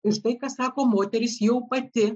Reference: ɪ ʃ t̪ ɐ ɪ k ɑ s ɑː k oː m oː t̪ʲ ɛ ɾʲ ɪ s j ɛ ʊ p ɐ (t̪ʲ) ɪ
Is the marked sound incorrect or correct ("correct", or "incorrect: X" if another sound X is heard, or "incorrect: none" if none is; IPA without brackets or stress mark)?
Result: correct